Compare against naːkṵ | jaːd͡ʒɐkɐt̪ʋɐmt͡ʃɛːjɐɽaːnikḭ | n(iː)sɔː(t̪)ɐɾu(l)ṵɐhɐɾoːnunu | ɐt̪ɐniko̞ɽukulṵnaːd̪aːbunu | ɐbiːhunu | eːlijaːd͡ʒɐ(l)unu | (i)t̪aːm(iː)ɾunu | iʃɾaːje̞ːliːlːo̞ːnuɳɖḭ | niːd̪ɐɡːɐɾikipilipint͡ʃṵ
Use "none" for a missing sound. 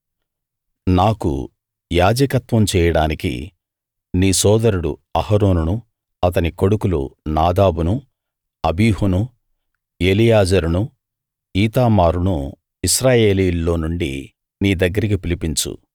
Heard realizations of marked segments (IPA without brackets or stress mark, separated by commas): iː, d̪, ɽ, ɾ, iː, aː